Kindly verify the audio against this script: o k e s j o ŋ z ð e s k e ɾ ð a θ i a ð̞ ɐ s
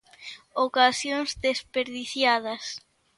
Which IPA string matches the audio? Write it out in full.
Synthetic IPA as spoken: o k a s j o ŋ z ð e s p e ɾ ð i θ j a ð̞ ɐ s